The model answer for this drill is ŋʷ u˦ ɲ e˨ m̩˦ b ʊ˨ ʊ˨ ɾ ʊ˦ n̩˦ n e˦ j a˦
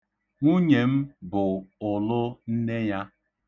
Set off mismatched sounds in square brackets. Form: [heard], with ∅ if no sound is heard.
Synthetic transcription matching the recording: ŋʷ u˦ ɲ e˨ m̩˦ b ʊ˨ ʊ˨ [l] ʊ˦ n̩˦ n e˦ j a˦